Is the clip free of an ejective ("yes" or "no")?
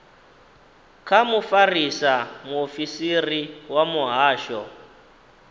yes